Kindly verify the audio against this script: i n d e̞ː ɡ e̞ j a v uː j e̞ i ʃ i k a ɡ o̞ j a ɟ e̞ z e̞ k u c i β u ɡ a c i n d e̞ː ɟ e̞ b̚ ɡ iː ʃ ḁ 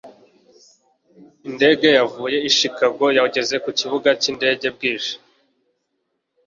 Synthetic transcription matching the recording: i n d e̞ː ɡ e̞ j a v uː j e̞ i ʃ i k a ɡ o̞ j a ɟ e̞ z e̞ k u c i β u ɡ a c i n d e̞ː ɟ e̞ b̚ ɡ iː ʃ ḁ